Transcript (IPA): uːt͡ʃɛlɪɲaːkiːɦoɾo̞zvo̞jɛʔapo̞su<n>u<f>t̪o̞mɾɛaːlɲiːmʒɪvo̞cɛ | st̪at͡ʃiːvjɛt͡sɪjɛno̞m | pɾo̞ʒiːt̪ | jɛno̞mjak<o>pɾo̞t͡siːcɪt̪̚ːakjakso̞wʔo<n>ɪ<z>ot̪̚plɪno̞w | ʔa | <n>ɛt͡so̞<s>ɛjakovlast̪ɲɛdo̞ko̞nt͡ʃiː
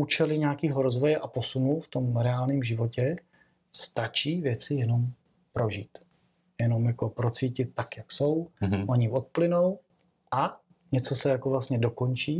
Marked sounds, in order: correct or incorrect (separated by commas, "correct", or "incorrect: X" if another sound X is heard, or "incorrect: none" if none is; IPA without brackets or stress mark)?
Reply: correct, correct, correct, incorrect: ɲ, incorrect: v, incorrect: ɲ, correct